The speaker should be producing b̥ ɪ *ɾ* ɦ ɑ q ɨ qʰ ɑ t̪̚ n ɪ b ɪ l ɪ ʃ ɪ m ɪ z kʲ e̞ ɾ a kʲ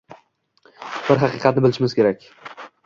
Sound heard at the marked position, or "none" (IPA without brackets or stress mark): ɾ